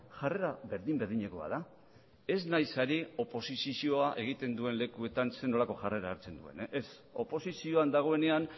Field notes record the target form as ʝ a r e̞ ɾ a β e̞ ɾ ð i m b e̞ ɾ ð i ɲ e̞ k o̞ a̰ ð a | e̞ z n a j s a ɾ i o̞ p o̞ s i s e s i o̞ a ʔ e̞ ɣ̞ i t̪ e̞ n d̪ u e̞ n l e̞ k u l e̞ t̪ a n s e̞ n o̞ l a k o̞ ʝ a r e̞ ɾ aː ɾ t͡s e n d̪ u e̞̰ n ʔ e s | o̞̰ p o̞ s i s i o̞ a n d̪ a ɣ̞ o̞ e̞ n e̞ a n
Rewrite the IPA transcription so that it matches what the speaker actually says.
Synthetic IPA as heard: ʝ a r e̞ ɾ a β e̞ ɾ ð i m b e̞ ɾ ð i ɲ e̞ k o̞ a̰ ð a | e̞ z n a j s a ɾ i o̞ p o̞ s i s i s i o̞ a ʔ e̞ ɣ̞ i t̪ e̞ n d̪ u e̞ n l e̞ k u e̞ t̪ a n s e̞ n o̞ l a k o̞ ʝ a r e̞ ɾ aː ɾ t͡s e n d̪ u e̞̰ n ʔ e s | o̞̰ p o̞ s i s i o̞ a n d̪ a ɣ̞ o̞ e̞ n e̞ a n

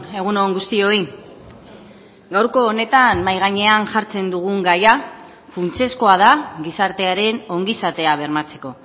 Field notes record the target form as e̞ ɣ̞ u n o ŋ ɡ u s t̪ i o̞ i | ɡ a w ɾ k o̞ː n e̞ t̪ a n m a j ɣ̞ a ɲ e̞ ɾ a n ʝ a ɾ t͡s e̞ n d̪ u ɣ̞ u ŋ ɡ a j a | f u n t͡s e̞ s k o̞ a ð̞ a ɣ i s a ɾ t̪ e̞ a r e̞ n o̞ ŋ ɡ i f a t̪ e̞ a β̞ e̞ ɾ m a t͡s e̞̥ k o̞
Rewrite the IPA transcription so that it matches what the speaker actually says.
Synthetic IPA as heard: e̞ ɣ̞ u n o ŋ ɡ u s t̪ i o̞ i | ɡ a w ɾ k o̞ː n e̞ t̪ a n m a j ɣ̞ a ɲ e̞ a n ʝ a ɾ t͡s e̞ n d̪ u ɣ̞ u ŋ ɡ a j a | f u n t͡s e̞ s k o̞ a ð̞ a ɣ i s a ɾ t̪ e̞ a ɾ e̞ n o̞ ŋ ɡ i s a t̪ e̞ a β̞ e̞ ɾ m a t͡s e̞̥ k o̞

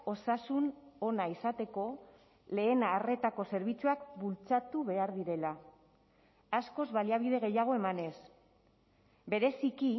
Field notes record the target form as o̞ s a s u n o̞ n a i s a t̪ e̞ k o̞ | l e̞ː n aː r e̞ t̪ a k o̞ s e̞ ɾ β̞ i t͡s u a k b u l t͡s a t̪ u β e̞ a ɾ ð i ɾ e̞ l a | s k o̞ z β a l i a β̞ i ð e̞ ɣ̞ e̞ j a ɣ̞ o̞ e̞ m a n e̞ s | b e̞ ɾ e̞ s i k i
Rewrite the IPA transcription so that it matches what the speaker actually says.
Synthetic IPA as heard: o̞ s a s u n o̞ n a i s a t̪ e̞ k o̞ | l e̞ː n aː r e̞ t̪ a k o̞ s e̞ ɾ β̞ i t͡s u a k b u l t͡s a t̪ u β e̞ a ɾ ð i ɾ e̞ l a | s k o̞ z β a l i a β̞ i ð e̞ ɣ̞ e̞ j a ɣ̞ o̞ e̞ m a n e̞ s | b e̞ ɾ e̞ s i k i

